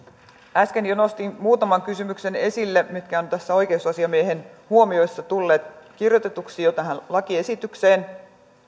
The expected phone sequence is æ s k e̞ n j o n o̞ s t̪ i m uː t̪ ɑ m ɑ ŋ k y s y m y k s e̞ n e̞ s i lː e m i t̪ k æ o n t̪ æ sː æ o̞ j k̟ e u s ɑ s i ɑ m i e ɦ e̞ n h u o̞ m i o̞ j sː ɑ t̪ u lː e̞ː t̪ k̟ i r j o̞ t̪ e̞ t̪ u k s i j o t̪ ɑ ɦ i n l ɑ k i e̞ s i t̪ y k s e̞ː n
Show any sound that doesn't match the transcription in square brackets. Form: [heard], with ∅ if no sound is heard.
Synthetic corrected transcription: æ s k e̞ n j o n o̞ s t̪ i m uː t̪ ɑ m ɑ ŋ k y s y m y k s e̞ n e̞ s i lː e m i t̪ k æ o n t̪ æ sː æ o̞ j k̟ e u s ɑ s i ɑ m i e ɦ e̞ n h u o̞ m i o̞ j sː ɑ t̪ u lː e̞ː t̪ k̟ i r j o̞ t̪ e̞ t̪ u k s i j o t̪ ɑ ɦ [æ] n l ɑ k i e̞ s i t̪ y k s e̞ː n